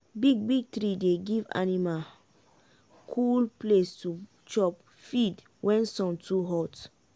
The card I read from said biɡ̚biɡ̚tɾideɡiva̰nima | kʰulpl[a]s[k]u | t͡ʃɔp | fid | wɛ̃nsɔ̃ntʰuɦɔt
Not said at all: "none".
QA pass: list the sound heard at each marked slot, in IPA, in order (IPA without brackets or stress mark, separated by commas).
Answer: e, t